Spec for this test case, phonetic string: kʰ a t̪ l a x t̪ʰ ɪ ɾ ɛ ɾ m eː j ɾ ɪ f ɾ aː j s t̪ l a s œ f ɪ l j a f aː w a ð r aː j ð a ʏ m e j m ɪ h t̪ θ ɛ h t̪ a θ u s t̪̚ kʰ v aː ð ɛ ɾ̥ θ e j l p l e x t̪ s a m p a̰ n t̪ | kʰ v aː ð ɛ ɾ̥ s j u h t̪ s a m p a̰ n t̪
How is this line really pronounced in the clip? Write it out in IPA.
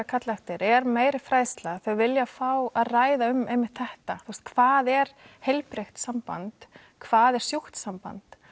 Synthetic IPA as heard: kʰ a t̪ l a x t̪ ɪ ɾ ɛ ɾ m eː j ɾ ɪ f ɾ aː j s t̪ l a θ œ v ɪ l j a f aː w a ð r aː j ð a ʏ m e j m ɪ h t̪ θ ɛ h t̪ a θ u s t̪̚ kʰ v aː ð ɛ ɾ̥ h e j l p ɾ e x t̪ s a m p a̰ n t̪ | kʰ v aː ð ɛ ɾ̥ s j u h t̪ s a m p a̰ n t̪